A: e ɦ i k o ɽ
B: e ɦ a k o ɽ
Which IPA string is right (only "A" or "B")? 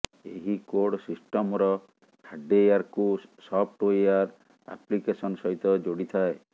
A